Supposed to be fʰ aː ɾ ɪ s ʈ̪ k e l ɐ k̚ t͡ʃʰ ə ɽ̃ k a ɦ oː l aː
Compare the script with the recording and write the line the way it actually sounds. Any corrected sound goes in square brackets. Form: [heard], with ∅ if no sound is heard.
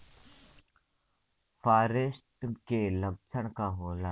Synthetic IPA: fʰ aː ɾ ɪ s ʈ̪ k e l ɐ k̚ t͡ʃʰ ə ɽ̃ k a ɦ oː l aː